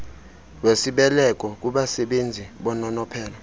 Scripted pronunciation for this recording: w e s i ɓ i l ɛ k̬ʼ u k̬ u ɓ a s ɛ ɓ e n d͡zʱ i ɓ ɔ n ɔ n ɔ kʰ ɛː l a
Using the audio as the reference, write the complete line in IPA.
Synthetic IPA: w e s i ɓ ɛ l ɛ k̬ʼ ɔ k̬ u ɓ a s ɛ ɓ e n d͡zʱ i ɓ ɔ n ɔ n ɔ pʰ ɛː l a

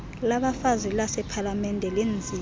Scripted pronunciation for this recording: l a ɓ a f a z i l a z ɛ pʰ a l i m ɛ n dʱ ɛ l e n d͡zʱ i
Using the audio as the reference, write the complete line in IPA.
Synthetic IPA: l a ɓ a f a z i l a s ɛ pʰ a l a m ɛ n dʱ ɛ l e n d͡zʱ i

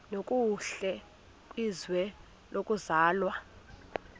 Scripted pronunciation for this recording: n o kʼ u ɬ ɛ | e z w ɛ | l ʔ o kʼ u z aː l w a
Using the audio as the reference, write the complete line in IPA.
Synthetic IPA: n o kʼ u ɬ ɛ | i z w ɛ | l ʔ o kʼ u z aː l w a

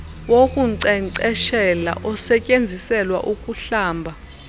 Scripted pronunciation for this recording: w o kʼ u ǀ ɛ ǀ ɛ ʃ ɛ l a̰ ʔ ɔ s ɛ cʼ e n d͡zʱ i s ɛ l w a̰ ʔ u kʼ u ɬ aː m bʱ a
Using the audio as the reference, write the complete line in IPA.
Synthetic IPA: w o kʼ u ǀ ɛ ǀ ɛ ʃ ɛ l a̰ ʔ ɔ s ɛ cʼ e n d͡zʱ i s ɛ l w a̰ ʔ u kʼ u ɬ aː m bʱ a

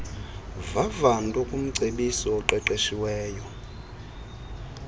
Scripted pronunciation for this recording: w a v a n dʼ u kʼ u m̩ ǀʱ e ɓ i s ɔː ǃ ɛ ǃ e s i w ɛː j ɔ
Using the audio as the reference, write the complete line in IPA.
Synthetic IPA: v a v a n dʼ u kʼ u m̩ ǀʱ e ɓ i s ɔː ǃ ɛ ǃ e ʃ i w ɛː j ɔ

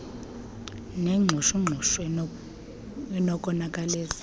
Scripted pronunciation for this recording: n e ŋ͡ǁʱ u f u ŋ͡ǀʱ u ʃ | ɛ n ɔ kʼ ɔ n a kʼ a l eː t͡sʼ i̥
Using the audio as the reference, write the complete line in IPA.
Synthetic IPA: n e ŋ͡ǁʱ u ʃ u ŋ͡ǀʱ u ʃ | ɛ n ɔ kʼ ɔ n a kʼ a l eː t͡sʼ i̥

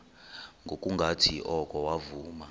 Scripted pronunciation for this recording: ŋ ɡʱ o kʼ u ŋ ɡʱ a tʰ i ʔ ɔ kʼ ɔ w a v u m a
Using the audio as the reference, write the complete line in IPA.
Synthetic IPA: ŋ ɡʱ o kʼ u ŋ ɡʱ a tʰ i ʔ ɔ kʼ ɔ w a v uː m a

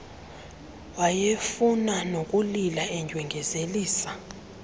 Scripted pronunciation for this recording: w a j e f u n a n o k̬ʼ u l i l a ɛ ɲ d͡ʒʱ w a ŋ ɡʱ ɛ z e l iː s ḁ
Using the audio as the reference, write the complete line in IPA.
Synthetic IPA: w a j e f u n a n o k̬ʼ u l i l a ɛ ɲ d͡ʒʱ w ɛ ŋ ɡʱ ɛ z e l iː s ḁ

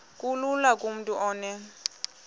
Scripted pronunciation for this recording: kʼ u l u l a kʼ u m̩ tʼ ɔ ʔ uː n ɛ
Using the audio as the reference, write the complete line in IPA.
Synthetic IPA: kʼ u l u l a kʼ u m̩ tʼ u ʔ ɔː n ɛ

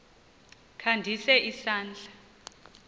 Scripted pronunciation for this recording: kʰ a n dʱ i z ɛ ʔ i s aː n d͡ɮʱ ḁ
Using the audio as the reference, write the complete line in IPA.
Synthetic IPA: kʰ a n dʱ i s ɛ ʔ i s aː n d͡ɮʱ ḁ

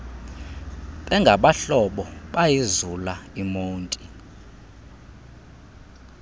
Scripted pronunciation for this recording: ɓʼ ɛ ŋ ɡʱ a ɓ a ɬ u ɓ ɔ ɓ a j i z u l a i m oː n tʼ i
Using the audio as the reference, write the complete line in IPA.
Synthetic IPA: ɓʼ ɛ ŋ ɡʱ a ɓ a ɬ ɔ ɓ ɔ ɓ a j i z u l a i m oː n tʼ i

